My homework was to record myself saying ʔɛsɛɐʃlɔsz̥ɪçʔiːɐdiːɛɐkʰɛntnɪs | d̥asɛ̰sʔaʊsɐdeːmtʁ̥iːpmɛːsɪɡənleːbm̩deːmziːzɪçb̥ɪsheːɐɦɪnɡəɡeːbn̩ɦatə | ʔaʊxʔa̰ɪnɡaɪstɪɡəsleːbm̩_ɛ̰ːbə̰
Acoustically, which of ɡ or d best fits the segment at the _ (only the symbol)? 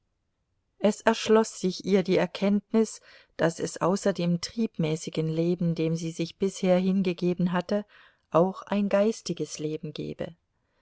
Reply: ɡ